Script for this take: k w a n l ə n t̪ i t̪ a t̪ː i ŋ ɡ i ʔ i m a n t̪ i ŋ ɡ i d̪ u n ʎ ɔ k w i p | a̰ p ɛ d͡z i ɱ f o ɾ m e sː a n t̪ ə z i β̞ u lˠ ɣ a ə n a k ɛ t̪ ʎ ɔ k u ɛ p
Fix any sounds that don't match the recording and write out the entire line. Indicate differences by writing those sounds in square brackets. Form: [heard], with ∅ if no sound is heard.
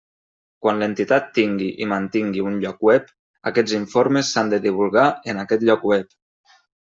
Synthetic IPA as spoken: k w a n l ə n t̪ i t̪ a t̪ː i ŋ ɡ i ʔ i m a n t̪ i ŋ ɡ i [∅] u n ʎ ɔ k w [ɛ] p | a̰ [k] ɛ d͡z i ɱ f o ɾ m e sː a n [d̪] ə [ð] i β̞ u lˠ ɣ a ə n a k ɛ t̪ ʎ ɔ k [w] ɛ p